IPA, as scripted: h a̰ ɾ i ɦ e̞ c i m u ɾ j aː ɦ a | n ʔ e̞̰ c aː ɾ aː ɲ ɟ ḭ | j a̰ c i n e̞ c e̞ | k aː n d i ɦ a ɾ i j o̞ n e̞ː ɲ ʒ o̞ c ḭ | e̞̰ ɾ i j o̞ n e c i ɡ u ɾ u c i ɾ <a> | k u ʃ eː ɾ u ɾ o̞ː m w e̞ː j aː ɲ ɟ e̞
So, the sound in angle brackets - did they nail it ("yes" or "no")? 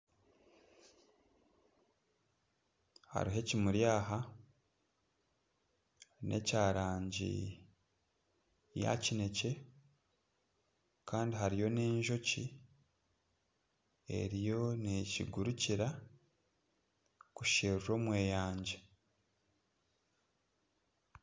yes